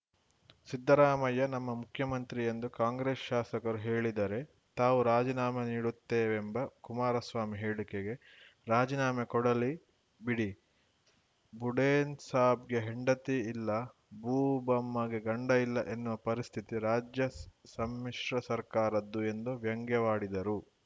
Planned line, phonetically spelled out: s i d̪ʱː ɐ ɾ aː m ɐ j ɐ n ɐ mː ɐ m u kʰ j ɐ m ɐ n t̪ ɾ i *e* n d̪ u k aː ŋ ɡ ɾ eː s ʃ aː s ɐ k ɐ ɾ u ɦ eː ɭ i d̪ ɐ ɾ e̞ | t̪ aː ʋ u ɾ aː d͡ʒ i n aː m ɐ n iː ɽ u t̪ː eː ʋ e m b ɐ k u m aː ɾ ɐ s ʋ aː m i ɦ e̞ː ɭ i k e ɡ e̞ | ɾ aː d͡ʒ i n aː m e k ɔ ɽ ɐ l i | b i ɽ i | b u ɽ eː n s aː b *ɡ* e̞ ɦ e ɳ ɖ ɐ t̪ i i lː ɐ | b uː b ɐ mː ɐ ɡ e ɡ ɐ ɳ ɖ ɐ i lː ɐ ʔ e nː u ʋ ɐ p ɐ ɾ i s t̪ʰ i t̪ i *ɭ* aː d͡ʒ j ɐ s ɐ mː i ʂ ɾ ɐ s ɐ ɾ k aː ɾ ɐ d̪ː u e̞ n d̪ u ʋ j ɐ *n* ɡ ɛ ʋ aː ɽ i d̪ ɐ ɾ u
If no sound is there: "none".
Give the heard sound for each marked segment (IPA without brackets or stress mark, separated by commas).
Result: e, ɡ, ɾ, ŋ